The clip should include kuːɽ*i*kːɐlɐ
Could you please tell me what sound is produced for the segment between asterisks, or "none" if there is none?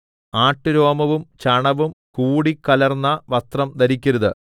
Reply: i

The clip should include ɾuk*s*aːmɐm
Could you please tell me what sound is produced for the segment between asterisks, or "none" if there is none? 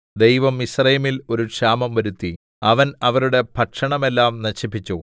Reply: ʂ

